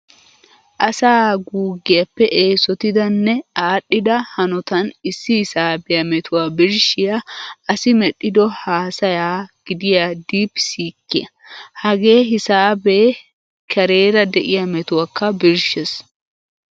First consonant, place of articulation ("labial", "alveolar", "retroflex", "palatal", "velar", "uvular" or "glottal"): glottal